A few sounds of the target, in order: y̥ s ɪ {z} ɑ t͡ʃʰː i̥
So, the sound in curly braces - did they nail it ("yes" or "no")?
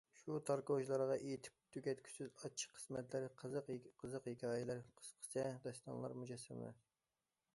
yes